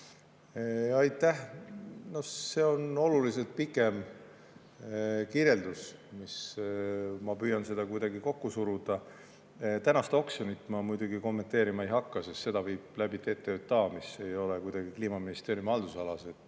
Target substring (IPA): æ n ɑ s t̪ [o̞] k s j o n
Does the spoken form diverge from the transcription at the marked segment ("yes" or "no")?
no